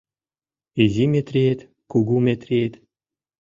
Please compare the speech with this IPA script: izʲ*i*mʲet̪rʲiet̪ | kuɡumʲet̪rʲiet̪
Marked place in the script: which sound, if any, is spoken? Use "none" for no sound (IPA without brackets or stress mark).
i